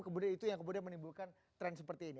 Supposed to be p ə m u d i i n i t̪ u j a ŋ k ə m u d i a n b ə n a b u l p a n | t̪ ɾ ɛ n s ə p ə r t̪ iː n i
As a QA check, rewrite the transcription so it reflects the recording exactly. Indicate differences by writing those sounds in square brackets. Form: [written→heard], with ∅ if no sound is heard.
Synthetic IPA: [p→k] ə m u d i [i→a] n i t̪ u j a ŋ k ə m u d i a n [b→m] ə n [a→i] b u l [p→k] a n | t̪ ɾ ɛ n s ə p ə r t̪ iː n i

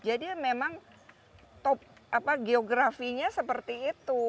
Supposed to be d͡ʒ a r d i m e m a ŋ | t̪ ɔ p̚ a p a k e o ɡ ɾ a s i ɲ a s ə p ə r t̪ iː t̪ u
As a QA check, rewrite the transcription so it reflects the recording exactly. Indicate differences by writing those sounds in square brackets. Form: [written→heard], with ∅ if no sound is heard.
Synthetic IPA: d͡ʒ a [r→∅] d i m e m a ŋ | t̪ ɔ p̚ a p a [k→ɡ] e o ɡ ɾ a [s→f] i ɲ a s ə p ə r t̪ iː t̪ u

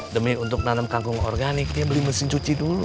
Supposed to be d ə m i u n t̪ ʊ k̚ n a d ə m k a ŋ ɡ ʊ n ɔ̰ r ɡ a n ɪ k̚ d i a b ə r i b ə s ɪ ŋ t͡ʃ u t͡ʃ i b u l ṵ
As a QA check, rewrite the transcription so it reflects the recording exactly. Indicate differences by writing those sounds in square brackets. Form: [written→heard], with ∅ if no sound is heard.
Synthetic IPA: d ə m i u n t̪ ʊ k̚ n a [d→n] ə m k a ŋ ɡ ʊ [n→ŋ] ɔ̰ r ɡ a n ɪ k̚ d i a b ə [r→l] i [b→m] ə s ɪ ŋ t͡ʃ u t͡ʃ i [b→d] u l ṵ

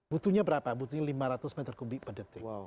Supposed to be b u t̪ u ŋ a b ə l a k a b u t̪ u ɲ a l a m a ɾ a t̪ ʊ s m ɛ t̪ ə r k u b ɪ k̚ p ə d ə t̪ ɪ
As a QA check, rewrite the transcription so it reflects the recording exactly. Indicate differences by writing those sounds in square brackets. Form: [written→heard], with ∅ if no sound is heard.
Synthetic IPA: b u t̪ u [ŋ→ɲ] a b ə [l→ɾ] a [k→p] a b u t̪ u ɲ a l [a→i] m a ɾ a t̪ ʊ s m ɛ t̪ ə r k u b ɪ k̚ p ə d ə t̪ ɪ

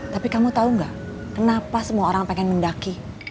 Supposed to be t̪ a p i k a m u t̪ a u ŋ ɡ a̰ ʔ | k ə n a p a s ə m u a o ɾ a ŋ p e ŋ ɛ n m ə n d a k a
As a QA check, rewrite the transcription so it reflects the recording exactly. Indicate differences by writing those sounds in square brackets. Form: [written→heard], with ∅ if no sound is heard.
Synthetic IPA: t̪ a p i k a m u t̪ a u ŋ ɡ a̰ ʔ | k ə n a p a s ə m u a o ɾ a ŋ p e ŋ ɛ n m ə n d a k [a→i]

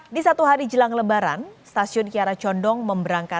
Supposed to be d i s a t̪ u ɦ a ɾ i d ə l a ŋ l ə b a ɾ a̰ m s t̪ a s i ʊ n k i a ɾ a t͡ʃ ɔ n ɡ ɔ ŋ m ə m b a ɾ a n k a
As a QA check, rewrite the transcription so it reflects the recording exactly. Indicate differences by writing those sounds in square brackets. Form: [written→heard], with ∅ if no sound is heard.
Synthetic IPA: d i s a t̪ u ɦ a ɾ i [d→d͡ʒ] ə l a ŋ l ə b a ɾ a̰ [m→n] s t̪ a s i ʊ n k i a ɾ a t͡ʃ ɔ n [ɡ→d] ɔ ŋ m ə m b [a→ə] ɾ a [n→ŋ] k a

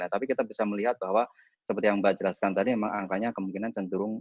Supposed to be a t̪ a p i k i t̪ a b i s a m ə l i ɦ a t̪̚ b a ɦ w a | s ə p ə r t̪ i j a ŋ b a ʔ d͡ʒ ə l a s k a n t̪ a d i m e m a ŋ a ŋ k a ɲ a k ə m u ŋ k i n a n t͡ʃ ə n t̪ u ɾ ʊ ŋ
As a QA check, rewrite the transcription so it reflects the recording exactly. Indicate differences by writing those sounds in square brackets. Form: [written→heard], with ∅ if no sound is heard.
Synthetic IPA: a t̪ a p i k i t̪ a b i s a m ə l i ɦ a t̪̚ b a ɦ w a | s ə p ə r t̪ i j a ŋ b a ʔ d͡ʒ ə l a s k a n t̪ a d i m e m a ŋ a ŋ k a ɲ a k ə m u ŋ k i n a n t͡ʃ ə n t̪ u ɾ ʊ ŋ

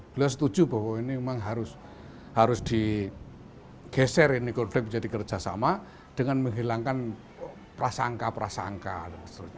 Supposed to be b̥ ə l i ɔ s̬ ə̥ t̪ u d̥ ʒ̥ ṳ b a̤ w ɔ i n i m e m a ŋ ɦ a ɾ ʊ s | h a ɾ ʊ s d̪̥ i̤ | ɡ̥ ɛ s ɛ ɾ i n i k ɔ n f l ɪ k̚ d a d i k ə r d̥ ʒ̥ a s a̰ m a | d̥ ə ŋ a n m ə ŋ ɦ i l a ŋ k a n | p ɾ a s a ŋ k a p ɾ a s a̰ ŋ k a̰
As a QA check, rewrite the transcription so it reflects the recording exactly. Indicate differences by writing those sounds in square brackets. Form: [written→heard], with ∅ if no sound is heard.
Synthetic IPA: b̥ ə l i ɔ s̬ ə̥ t̪ u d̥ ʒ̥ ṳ b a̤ w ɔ i n i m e m a ŋ ɦ a ɾ ʊ s | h a ɾ ʊ s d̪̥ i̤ | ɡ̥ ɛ s ɛ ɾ i n i k ɔ n f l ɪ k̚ [d→d͡ʒ] a d i k ə r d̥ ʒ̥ a s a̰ m a | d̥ ə ŋ a n m ə ŋ ɦ i l a ŋ k a n | p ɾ a s a ŋ k a p ɾ a s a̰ ŋ k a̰

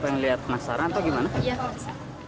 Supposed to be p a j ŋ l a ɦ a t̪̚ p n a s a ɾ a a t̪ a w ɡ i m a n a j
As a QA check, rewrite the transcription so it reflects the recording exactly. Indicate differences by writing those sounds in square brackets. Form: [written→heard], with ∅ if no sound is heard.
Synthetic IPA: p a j ŋ l [a→i] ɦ a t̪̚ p n a s a ɾ a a t̪ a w ɡ i m a n a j

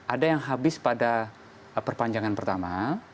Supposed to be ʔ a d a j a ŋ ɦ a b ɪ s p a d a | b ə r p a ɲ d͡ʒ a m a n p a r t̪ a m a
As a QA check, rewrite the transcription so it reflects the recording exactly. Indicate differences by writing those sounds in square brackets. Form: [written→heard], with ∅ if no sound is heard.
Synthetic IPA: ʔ a d a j a ŋ ɦ a b ɪ s p a d a | [b→p] ə r p a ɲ d͡ʒ a [m→ŋ] a n p [a→ə] r t̪ a m a

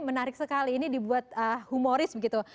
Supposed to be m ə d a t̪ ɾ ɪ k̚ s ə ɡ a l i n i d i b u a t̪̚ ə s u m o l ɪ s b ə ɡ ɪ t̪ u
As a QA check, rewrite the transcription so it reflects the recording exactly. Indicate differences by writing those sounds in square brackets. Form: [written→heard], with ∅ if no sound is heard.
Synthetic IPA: m ə [d→n] a [t̪→∅] ɾ ɪ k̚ s ə [ɡ→k] a l [i→iː] n i d i b u a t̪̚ ə [s→h] u m o [l→ɾ] ɪ s b ə ɡ [ɪ→i] t̪ u

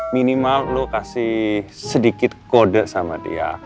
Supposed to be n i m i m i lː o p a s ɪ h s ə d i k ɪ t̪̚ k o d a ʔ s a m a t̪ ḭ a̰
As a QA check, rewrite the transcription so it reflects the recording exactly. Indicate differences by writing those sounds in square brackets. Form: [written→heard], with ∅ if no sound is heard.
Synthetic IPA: [n→m] i [m→n] i m [i→a] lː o [p→k] a s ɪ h s ə d i k ɪ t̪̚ k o d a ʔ s a m a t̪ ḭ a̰

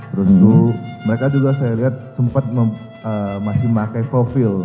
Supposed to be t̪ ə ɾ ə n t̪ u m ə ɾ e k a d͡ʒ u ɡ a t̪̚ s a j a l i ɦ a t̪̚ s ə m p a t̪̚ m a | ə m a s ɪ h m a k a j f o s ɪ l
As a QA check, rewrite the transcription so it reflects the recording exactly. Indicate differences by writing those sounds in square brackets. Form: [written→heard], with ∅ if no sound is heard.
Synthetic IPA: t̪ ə ɾ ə n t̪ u m ə ɾ e k a d͡ʒ u ɡ a [t̪̚→∅] s a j a l i ɦ a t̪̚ s ə m p a t̪̚ m [a→ə] | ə m a s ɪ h m a k a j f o [s→f] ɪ l

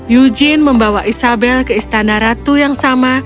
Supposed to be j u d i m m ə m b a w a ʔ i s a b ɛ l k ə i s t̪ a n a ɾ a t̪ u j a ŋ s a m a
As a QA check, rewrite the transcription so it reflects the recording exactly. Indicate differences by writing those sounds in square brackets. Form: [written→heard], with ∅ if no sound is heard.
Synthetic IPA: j u [d→d͡ʒ] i [m→n] m ə m b a w a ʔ i s a b ɛ l k ə i s t̪ a n a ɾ a t̪ u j a ŋ s a m a

